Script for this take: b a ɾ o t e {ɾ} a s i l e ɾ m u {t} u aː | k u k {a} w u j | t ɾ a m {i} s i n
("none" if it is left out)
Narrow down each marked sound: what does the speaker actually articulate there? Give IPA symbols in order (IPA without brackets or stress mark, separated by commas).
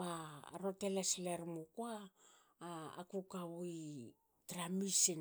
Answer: l, k, a, i